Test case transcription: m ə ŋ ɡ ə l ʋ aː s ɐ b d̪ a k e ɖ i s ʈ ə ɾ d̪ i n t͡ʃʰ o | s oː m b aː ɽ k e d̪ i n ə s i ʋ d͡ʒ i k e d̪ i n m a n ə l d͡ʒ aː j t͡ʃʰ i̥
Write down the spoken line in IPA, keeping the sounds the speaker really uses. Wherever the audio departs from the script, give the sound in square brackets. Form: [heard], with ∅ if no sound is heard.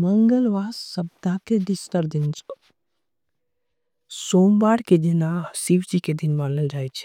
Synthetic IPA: m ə ŋ ɡ ə l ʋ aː s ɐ b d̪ a k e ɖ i s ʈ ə ɾ d̪ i n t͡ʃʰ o | s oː m b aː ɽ k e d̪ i n [a] s i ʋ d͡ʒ i k e d̪ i n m a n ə l d͡ʒ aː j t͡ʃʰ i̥